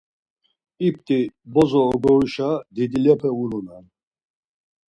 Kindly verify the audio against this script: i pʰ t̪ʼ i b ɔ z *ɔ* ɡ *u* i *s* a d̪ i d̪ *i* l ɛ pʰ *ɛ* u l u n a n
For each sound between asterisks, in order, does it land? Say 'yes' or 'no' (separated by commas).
no, no, no, yes, yes